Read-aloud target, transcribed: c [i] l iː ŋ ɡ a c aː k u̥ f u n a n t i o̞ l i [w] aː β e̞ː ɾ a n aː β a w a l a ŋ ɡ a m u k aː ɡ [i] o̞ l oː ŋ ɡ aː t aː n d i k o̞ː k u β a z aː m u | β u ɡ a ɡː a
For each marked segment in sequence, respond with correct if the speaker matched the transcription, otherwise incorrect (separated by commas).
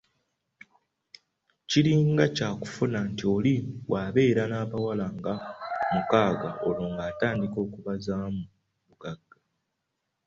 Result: correct, correct, incorrect